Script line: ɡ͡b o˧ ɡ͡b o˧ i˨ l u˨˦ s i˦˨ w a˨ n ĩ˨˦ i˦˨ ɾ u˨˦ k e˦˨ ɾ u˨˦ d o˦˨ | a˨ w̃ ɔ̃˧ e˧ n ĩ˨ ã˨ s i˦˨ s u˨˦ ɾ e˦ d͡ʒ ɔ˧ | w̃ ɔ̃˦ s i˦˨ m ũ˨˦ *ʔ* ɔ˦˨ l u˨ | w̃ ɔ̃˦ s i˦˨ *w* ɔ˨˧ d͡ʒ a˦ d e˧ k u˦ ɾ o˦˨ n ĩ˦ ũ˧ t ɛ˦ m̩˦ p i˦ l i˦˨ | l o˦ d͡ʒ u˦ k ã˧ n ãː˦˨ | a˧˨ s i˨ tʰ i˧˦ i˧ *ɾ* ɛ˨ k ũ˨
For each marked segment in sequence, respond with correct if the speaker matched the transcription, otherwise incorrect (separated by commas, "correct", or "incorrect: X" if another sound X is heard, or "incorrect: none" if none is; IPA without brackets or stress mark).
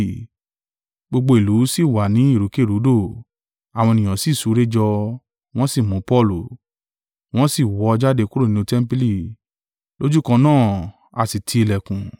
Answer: incorrect: p, correct, incorrect: l